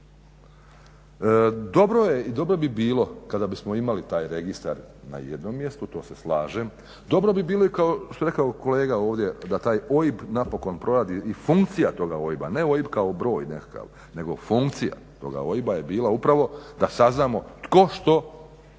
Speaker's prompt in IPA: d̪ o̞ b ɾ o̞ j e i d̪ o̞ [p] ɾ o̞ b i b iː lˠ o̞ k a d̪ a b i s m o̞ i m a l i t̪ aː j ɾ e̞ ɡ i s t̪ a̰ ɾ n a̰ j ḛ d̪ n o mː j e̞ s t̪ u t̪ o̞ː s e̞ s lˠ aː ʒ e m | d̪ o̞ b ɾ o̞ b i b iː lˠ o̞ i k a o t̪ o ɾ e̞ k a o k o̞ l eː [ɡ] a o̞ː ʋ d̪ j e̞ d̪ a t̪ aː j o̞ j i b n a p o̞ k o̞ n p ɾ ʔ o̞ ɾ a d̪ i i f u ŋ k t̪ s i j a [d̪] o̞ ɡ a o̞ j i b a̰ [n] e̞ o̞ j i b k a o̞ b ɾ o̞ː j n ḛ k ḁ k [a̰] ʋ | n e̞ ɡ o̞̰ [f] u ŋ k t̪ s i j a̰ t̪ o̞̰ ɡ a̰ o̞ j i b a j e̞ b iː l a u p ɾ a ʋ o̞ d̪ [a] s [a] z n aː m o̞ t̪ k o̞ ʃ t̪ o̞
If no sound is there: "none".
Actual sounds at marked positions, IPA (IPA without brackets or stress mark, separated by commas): b, ɡ, t̪, n, a̰, f, a, a